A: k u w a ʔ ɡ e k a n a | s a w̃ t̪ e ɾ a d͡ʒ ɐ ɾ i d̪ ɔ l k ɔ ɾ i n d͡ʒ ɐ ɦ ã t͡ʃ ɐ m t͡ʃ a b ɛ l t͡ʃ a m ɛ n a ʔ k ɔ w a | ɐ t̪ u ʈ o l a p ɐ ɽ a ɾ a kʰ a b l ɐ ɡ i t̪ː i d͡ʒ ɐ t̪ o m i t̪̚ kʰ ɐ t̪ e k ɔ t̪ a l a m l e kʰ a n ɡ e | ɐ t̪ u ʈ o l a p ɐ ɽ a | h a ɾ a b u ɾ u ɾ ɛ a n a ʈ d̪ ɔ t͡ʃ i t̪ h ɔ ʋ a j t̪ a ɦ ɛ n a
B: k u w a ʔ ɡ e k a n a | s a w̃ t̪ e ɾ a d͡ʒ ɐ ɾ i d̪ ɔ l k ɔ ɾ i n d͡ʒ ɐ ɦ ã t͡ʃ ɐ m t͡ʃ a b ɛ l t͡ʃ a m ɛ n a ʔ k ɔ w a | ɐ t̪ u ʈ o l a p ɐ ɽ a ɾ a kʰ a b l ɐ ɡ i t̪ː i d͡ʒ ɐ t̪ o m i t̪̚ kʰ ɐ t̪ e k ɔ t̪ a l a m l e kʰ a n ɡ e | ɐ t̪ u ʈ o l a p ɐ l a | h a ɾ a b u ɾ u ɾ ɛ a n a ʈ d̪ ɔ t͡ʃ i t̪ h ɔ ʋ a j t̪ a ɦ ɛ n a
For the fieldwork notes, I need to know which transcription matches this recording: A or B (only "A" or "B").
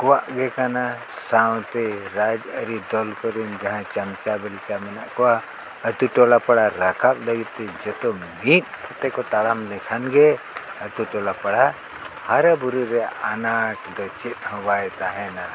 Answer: A